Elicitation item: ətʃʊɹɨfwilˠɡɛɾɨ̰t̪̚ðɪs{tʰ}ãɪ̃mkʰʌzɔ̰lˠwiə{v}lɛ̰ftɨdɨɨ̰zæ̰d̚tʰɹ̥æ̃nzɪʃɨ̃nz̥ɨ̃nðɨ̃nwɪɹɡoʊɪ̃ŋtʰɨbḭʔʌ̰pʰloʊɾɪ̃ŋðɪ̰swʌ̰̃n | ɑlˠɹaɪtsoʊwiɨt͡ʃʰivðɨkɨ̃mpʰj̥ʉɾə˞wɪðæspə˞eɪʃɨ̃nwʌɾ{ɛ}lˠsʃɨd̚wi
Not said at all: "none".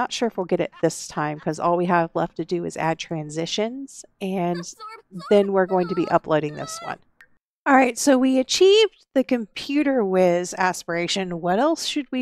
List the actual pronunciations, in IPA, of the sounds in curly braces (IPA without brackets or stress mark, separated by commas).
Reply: tʰ, v, ɛ